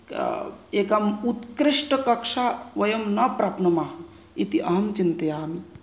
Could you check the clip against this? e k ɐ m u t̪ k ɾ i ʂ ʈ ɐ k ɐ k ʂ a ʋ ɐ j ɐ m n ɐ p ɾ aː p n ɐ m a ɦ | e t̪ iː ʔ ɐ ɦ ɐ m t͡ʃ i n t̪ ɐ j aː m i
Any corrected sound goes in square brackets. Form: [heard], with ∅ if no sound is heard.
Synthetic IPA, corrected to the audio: e k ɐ m u t̪ k ɾ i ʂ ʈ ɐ k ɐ k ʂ a ʋ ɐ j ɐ m n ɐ p ɾ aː p n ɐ m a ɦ | [i] t̪ [i] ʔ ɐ ɦ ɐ m t͡ʃ i n t̪ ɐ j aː m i